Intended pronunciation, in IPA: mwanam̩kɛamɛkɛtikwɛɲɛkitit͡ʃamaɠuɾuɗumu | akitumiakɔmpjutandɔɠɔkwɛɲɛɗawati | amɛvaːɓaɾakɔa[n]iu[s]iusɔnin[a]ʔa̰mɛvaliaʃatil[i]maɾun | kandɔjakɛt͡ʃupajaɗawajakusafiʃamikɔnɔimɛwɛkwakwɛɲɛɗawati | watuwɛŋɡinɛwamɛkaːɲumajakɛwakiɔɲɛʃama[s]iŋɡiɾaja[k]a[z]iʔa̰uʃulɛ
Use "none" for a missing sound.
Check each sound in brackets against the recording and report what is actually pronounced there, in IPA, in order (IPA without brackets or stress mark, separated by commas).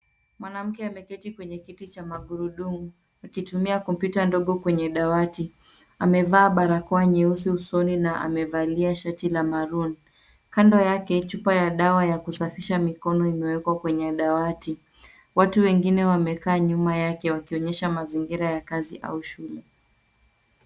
ɲ, s, a, a, z, k, z